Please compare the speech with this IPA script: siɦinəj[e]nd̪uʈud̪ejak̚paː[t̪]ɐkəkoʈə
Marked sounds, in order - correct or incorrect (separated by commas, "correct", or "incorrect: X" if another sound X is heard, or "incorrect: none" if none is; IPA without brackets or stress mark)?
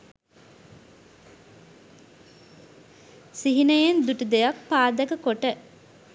correct, incorrect: d̪